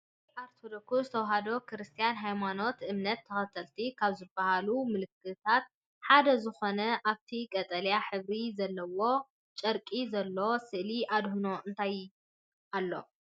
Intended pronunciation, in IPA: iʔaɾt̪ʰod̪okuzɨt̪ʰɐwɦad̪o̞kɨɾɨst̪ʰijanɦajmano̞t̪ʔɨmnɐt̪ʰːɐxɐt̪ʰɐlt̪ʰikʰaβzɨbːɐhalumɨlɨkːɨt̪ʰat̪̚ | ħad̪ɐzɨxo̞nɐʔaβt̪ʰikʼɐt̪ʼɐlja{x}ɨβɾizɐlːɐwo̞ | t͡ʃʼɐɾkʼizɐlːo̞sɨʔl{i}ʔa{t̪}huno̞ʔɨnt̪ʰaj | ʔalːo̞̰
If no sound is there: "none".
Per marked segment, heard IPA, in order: ħ, i, d̪

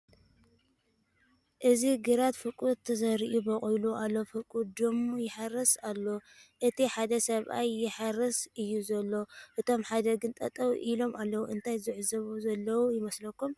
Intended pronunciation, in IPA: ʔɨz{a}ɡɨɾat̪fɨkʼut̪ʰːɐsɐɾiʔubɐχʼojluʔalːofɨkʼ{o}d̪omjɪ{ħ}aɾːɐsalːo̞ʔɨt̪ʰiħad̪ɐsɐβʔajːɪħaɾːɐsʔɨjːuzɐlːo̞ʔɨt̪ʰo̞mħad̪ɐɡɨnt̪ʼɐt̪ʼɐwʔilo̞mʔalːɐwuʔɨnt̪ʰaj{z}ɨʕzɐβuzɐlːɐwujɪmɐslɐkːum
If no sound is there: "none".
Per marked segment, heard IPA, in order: i, u, ħ, z

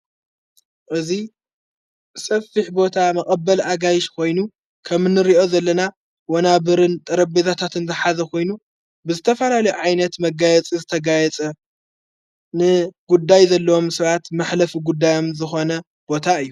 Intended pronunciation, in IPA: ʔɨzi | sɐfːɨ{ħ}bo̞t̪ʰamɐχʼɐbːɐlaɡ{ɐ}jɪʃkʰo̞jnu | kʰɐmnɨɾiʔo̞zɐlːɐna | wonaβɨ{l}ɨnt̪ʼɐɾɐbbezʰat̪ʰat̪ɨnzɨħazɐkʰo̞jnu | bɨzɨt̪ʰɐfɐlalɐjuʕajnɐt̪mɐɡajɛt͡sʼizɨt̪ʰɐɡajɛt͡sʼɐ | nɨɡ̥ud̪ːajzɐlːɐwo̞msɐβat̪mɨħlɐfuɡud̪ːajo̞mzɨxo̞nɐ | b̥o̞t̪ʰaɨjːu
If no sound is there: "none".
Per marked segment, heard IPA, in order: ħ, a, ɾ

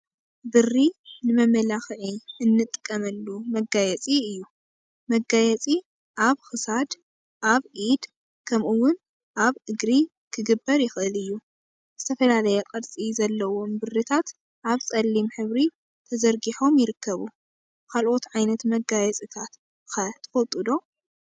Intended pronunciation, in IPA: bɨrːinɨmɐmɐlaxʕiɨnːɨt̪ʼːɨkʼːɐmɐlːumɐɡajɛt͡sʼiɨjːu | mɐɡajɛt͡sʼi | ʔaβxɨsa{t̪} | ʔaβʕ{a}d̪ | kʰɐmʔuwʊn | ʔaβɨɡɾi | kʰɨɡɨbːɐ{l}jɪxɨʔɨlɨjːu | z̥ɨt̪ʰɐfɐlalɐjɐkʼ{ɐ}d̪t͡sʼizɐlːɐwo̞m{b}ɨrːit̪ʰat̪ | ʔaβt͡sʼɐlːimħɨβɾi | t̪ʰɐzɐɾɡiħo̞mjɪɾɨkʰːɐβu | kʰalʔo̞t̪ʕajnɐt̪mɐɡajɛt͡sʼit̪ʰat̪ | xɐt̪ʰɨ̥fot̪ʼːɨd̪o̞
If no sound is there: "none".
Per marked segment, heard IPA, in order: d̪, i, ɾ, ɐ, b

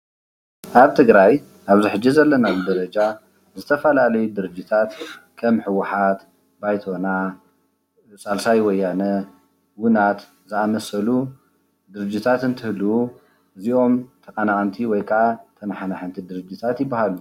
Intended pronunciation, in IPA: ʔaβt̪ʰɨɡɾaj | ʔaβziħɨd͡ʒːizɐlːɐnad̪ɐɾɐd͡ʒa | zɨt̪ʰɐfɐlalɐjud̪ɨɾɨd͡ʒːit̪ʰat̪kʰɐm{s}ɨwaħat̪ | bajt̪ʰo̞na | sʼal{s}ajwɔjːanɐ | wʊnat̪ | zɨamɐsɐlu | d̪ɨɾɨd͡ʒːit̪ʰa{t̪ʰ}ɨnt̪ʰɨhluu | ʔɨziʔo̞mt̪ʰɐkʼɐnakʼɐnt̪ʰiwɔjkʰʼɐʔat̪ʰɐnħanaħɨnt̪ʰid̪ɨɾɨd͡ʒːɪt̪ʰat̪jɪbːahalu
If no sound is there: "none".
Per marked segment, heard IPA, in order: ħ, s, t̪

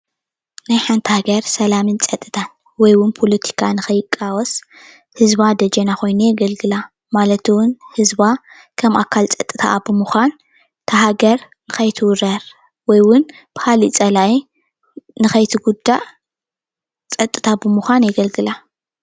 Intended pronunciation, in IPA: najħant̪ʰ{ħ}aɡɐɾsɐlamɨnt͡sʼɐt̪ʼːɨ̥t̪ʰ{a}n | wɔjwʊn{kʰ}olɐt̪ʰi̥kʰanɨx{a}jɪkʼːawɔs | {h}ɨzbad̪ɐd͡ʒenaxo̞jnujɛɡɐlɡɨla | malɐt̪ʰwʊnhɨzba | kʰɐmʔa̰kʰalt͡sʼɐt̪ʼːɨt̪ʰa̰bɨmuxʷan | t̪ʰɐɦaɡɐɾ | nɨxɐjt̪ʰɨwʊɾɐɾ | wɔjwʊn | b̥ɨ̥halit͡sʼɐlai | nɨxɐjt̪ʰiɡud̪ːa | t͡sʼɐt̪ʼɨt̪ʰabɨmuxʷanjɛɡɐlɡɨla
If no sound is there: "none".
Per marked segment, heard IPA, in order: h, a, pʰ, ɐ, h

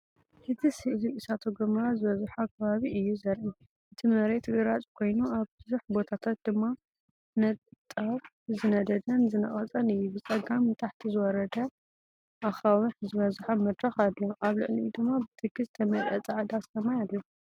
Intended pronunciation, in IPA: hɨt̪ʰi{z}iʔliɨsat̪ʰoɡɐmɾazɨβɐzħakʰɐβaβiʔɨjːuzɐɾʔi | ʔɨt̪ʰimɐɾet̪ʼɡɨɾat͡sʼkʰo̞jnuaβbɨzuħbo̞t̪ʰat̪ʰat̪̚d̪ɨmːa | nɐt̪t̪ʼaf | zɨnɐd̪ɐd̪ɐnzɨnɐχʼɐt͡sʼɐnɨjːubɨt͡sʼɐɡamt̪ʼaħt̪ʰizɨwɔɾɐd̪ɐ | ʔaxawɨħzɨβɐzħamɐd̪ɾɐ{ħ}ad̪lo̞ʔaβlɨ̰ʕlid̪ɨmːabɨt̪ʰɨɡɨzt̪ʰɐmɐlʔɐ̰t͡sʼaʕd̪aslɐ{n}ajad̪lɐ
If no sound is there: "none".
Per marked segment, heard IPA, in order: s, x, m

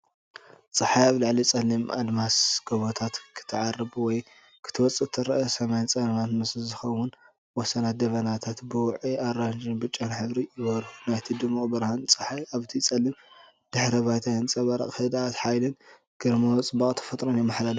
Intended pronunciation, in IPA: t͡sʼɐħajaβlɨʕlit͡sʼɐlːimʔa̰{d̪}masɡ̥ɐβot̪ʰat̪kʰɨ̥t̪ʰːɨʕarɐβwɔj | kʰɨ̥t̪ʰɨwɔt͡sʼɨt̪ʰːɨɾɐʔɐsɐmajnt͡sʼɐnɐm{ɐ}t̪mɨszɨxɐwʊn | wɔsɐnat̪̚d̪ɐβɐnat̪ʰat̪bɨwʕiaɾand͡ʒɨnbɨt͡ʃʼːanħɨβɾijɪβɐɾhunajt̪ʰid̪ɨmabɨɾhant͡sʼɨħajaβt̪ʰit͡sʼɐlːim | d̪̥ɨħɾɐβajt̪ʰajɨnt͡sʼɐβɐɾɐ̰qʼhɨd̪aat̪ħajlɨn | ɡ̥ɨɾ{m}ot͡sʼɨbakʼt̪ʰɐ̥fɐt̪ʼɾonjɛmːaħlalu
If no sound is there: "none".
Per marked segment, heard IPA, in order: d̪, a, m

